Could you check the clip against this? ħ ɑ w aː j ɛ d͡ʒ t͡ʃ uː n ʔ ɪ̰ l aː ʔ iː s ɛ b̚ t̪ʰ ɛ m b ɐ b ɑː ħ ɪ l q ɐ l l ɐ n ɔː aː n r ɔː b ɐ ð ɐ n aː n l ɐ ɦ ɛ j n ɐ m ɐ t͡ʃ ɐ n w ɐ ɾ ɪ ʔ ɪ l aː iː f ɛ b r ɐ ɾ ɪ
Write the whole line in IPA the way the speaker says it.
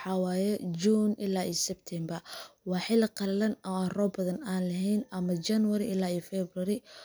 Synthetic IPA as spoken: ħ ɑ w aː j ɛ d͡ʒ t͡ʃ uː n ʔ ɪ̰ l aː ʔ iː s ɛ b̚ t̪ʰ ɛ m b ɐ w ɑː ħ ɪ l q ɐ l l ɐ n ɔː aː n r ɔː b ɐ ð ɐ n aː n l ɐ ɦ ɛ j n ɐ m ɐ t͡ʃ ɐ n w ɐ ɾ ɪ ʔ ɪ l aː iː f ɛ b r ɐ ɾ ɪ